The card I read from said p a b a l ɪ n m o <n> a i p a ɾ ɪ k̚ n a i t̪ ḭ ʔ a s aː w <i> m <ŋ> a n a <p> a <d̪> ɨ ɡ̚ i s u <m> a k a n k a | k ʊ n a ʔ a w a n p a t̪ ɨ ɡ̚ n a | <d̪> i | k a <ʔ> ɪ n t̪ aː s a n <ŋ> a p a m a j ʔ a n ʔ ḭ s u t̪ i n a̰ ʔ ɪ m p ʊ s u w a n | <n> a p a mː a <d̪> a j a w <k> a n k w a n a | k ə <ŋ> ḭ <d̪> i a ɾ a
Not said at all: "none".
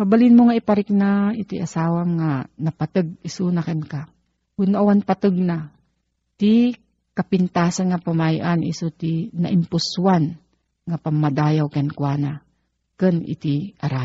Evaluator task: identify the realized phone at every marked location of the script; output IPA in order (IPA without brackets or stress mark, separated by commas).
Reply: ŋ, a, ŋ, p, t̪, n, t̪, p, ŋ, ŋ, d̪, k, n, t̪